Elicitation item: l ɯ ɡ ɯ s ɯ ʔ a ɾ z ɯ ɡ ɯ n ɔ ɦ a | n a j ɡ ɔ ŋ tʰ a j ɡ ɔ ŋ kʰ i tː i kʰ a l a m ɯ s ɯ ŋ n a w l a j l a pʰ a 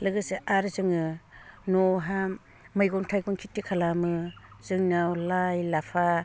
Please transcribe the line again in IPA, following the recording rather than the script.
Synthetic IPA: l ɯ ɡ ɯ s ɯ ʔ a ɾ z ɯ ŋ ɯ n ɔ ɦ a | m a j ɡ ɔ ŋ tʰ a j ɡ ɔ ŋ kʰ i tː i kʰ a l a m ɯ z ɯ ŋ n a w l a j l a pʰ a